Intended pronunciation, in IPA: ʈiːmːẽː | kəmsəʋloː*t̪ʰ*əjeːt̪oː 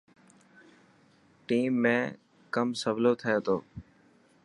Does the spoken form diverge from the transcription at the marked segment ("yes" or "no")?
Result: no